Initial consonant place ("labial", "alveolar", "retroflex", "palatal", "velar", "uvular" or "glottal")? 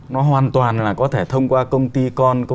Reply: alveolar